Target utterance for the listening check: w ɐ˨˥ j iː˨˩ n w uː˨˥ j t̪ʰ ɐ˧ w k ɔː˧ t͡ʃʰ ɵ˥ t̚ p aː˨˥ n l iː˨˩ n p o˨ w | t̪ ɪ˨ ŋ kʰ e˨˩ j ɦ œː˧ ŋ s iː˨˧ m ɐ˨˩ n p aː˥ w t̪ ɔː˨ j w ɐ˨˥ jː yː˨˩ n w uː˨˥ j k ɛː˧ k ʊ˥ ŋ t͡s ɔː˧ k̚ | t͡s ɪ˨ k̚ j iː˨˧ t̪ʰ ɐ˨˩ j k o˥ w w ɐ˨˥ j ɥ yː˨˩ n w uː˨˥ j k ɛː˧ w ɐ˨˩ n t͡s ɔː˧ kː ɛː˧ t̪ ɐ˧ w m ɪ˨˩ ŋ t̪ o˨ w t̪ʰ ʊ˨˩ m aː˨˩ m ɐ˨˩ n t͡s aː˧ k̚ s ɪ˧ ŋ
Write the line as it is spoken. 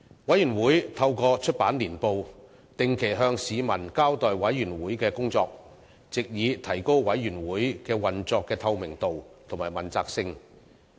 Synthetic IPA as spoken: w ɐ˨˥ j yː˨˩ n w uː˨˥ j t̪ʰ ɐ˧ w k ɔː˧ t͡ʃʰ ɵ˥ t̚ p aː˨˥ n l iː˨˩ n p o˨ w | t̪ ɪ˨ ŋ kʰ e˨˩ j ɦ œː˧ ŋ s iː˨˧ m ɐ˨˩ n k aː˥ w t̪ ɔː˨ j w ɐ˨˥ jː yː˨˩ n w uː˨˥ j k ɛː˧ k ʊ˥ ŋ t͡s ɔː˧ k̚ | t͡s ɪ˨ k̚ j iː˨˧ t̪ʰ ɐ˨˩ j k o˥ w w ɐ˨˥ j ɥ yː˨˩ n w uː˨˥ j k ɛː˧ w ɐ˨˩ n t͡s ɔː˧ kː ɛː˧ t̪ʰ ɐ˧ w m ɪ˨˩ ŋ t̪ o˨ w t̪ʰ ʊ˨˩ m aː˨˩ m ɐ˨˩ n t͡s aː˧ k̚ s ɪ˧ ŋ